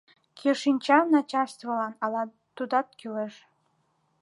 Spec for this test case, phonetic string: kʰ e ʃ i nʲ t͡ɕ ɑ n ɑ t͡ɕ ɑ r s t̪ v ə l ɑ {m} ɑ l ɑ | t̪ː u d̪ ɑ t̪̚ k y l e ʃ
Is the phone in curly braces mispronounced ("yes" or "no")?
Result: yes